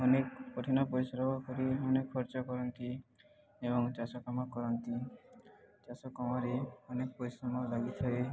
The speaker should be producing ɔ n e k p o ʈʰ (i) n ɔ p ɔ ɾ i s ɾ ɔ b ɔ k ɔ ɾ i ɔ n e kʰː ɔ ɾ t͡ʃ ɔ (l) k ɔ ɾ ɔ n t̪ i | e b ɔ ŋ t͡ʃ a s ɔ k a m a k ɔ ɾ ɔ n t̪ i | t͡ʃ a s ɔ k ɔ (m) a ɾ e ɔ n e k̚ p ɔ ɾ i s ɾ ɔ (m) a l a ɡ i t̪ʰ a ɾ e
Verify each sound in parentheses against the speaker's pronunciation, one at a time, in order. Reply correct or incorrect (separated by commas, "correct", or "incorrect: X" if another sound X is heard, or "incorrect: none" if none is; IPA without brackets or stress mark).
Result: correct, incorrect: none, correct, correct